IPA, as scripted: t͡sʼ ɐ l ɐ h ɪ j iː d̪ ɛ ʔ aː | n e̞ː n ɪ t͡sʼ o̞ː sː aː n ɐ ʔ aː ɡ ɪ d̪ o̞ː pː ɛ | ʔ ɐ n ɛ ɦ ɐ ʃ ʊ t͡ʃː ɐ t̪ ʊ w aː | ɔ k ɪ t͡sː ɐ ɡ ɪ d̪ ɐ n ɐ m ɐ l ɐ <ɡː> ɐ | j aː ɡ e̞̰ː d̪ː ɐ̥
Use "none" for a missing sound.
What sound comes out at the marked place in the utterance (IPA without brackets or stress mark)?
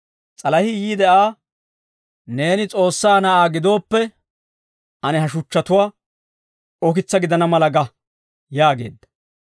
ɡ